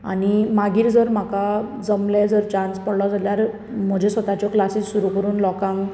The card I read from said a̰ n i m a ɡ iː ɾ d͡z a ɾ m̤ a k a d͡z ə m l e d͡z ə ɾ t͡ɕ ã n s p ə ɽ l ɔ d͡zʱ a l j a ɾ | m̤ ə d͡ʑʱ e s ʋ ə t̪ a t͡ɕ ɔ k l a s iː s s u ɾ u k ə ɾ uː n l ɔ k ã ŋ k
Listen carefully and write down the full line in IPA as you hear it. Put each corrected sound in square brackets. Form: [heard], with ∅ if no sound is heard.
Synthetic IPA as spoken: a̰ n i m a ɡ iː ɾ d͡z [ə] ɾ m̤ a k a d͡z ə m l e d͡z ə ɾ t͡ɕ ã n s p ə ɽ l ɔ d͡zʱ a l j a ɾ | m̤ ə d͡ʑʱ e s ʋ ə t̪ a t͡ɕ ɔ k l a s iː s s u ɾ u k ə ɾ uː n l ɔ k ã ŋ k